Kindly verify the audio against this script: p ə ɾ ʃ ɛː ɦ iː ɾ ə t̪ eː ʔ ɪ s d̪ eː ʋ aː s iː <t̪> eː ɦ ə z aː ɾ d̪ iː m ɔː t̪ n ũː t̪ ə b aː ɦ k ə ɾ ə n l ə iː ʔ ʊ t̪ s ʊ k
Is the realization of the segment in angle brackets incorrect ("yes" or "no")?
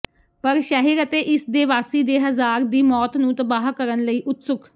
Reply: yes